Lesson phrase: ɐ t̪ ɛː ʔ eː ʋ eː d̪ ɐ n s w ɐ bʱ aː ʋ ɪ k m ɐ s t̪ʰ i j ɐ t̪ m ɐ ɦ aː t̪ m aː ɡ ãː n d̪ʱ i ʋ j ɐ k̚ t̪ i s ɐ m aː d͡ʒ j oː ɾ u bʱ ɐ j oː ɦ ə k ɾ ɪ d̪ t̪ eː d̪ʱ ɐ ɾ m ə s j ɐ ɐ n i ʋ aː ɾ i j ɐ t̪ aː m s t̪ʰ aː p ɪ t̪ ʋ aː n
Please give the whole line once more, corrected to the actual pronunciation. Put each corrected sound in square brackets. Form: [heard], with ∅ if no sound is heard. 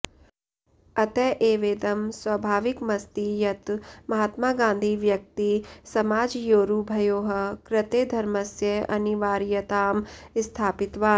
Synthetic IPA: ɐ t̪ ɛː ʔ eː ʋ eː d̪ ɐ [m] s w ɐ bʱ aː ʋ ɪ k m ɐ s [t̪] i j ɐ t̪ m ɐ ɦ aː t̪ m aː ɡ ãː n d̪ʱ i ʋ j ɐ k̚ t̪ i s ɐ m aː d͡ʒ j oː ɾ u bʱ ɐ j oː ɦ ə k ɾ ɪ [∅] t̪ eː d̪ʱ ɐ ɾ m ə s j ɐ ɐ n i ʋ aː ɾ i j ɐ t̪ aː m s t̪ʰ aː p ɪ t̪ ʋ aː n